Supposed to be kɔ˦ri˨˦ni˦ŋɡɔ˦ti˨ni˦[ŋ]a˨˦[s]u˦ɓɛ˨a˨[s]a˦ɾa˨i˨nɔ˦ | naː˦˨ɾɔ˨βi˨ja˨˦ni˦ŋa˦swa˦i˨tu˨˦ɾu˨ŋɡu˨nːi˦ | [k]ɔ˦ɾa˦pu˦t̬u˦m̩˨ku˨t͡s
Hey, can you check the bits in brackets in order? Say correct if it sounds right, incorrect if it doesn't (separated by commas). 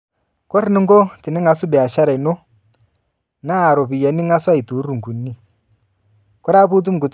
correct, correct, incorrect, correct